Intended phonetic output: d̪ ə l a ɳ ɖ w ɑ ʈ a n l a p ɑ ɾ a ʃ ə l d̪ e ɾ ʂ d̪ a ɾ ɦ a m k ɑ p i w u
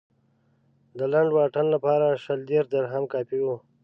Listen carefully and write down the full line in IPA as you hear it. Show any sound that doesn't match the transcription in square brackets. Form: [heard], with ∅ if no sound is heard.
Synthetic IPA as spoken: d̪ ə l a ɳ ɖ w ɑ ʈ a n l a p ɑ ɾ a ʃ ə l d̪ e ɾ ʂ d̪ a ɾ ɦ a m k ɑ p i w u